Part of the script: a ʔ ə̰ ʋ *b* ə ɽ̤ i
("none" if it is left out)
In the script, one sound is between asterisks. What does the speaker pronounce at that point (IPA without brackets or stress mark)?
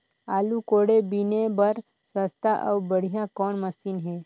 b